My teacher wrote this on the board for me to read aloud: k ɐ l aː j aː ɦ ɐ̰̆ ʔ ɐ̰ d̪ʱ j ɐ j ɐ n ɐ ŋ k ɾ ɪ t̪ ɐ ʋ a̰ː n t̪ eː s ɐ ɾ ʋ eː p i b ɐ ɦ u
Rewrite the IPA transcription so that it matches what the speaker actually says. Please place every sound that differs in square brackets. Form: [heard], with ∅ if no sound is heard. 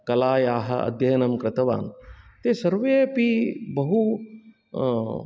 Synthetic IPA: k ɐ l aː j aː ɦ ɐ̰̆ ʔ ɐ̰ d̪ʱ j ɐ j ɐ n ɐ [m] k ɾ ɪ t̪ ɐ ʋ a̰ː n t̪ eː s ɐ ɾ ʋ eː p i b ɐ ɦ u